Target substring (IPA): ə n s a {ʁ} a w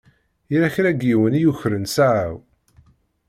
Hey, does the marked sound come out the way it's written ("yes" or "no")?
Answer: no